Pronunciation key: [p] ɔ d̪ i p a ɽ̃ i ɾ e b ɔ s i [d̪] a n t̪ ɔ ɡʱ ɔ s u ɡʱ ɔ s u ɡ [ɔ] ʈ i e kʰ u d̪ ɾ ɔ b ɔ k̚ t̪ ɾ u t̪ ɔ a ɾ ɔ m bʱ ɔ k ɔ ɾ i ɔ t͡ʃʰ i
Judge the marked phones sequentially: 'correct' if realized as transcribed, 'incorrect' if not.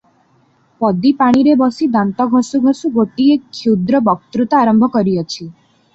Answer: correct, correct, incorrect

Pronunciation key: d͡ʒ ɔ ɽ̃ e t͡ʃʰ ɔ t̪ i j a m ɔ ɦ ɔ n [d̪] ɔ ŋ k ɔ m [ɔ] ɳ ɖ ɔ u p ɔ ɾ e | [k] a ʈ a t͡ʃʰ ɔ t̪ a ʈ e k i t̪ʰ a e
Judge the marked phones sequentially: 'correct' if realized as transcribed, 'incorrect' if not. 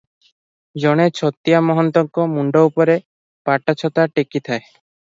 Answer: incorrect, incorrect, incorrect

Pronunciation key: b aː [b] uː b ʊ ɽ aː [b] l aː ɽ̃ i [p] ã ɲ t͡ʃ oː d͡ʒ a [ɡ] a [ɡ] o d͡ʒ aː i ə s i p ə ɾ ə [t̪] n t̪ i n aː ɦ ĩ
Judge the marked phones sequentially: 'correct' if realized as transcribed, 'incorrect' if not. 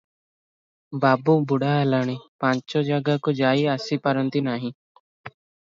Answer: correct, incorrect, correct, correct, incorrect, incorrect

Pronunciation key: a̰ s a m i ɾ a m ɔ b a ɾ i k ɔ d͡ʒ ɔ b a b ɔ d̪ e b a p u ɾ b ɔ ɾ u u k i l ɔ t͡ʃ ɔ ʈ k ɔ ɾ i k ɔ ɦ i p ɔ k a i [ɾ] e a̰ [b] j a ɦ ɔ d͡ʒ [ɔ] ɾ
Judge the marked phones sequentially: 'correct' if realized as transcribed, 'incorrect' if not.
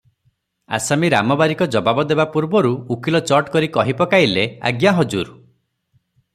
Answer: incorrect, incorrect, incorrect

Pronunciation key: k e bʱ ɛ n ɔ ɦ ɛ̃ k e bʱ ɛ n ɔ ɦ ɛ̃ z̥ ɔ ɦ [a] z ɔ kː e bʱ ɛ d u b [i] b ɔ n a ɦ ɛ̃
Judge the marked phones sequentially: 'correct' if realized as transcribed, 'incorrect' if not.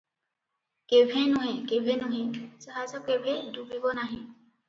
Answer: correct, correct

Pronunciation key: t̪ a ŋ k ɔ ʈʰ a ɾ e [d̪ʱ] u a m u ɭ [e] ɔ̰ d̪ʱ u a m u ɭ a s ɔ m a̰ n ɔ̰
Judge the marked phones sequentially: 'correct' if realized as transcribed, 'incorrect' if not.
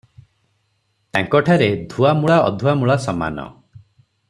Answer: correct, incorrect

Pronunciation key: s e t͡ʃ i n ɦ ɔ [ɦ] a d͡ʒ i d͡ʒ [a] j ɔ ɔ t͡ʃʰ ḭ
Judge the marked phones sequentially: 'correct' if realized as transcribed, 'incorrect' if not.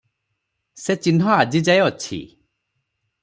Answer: incorrect, correct

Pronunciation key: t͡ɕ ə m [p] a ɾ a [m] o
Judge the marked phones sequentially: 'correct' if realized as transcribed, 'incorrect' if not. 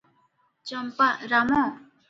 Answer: correct, correct

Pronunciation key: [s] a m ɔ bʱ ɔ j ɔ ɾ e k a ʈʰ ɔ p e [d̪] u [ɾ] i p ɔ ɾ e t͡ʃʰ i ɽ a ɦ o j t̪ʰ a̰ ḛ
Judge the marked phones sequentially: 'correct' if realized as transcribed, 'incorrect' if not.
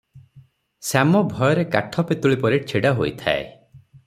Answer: correct, incorrect, incorrect

